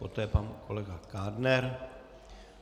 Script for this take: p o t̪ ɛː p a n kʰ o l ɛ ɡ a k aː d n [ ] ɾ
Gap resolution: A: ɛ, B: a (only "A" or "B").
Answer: A